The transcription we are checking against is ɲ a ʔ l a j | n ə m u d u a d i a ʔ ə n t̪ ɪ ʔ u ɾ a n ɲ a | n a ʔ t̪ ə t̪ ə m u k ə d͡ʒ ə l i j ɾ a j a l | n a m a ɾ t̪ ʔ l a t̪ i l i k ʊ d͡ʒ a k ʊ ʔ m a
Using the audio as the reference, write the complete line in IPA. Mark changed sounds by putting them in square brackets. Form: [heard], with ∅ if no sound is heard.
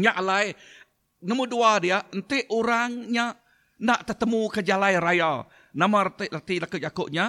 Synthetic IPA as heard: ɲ a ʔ l a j | n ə m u d u a d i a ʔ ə n t̪ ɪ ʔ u ɾ a [ŋ] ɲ a | n a ʔ t̪ ə t̪ ə m u k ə d͡ʒ [a] l [a] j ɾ a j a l | n a m a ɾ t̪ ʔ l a t̪ i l [a] k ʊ d͡ʒ a k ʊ ʔ [ɲ] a